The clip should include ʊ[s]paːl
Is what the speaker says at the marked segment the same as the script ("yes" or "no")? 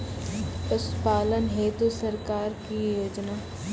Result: yes